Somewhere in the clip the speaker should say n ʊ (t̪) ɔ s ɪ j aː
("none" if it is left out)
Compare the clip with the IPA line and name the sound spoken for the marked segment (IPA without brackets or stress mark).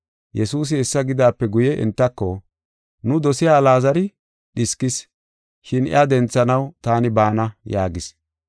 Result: d̪